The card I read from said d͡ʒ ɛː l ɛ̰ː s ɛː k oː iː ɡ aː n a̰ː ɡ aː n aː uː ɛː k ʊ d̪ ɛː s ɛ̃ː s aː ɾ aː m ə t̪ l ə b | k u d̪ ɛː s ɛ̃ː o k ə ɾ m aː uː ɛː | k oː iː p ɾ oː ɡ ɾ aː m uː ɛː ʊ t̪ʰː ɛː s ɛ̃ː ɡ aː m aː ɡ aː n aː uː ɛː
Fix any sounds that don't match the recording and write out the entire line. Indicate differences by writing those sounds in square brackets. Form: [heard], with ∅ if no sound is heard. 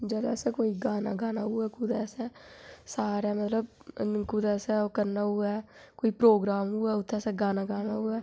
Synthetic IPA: d͡ʒ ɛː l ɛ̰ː s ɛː k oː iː ɡ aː n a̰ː ɡ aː n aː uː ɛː k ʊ d̪ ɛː s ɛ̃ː s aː ɾ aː m ə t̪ l ə b | k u d̪ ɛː s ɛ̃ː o k ə ɾ [n] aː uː ɛː | k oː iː p ɾ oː ɡ ɾ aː m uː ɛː ʊ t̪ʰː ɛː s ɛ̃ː ɡ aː [n] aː ɡ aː n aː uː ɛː